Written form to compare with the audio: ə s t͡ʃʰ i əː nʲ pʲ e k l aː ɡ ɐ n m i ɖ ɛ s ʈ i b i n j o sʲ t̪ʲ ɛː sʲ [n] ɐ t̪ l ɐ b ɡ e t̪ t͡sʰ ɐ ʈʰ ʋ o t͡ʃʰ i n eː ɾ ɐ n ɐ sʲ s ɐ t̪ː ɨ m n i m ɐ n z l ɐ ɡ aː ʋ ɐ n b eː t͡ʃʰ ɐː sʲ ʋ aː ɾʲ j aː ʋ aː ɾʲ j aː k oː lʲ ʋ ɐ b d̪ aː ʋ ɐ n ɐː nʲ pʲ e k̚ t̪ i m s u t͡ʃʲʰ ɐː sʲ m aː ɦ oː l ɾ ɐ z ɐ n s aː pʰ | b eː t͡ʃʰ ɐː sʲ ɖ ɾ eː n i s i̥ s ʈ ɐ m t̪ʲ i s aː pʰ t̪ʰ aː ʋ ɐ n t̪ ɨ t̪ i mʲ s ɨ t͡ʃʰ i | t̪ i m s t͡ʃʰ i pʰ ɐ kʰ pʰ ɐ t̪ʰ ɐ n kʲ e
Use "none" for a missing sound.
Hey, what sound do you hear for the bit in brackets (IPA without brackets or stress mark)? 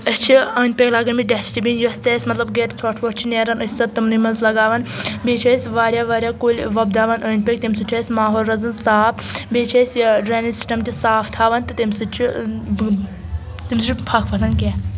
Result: m